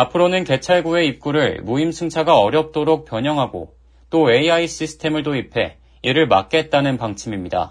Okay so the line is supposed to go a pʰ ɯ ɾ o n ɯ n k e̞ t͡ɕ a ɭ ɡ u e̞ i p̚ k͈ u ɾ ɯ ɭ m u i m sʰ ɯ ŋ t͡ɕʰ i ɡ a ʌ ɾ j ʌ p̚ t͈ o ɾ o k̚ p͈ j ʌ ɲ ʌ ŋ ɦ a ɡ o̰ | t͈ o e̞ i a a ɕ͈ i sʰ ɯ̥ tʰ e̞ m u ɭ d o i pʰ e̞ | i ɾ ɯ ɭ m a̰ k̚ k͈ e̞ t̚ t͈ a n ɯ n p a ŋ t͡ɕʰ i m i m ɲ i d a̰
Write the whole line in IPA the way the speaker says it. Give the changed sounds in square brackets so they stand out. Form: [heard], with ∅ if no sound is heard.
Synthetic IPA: a pʰ ɯ ɾ o n ɯ n k e̞ [t͡ɕʰ] a ɭ ɡ u e̞ i p̚ k͈ u ɾ ɯ ɭ m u i m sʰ ɯ ŋ t͡ɕʰ [a] ɡ a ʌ ɾ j ʌ p̚ t͈ o ɾ o k̚ p͈ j ʌ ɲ ʌ ŋ ɦ a ɡ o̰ | t͈ o e̞ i a [i] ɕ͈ i sʰ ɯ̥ tʰ e̞ m [ɯ] ɭ d o i pʰ e̞ | i ɾ ɯ ɭ m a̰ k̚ k͈ e̞ t̚ t͈ a n ɯ n p a ŋ t͡ɕʰ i m i m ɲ i d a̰